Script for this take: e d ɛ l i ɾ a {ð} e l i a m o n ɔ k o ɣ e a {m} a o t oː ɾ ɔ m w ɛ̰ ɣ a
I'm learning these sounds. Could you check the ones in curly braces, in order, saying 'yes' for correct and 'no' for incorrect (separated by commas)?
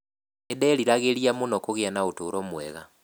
no, no